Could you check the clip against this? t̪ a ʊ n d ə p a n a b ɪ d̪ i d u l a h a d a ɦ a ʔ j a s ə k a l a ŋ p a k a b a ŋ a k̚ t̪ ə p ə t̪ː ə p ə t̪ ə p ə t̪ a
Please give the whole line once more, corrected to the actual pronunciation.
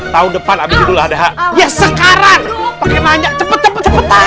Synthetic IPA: t̪ a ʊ n d ə p a n a b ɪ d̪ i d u l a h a d a ɦ a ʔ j a s ə k a ɾ a ŋ p a k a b a ɲ a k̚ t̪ ə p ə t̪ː ə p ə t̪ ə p ə t̪ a